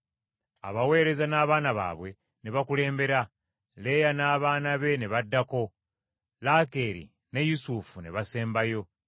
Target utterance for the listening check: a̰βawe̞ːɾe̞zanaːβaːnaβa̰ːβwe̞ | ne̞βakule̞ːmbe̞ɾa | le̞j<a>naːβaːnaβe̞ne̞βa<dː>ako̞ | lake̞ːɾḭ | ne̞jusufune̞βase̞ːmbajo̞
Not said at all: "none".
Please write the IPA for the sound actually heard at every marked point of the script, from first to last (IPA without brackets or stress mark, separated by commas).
a, dː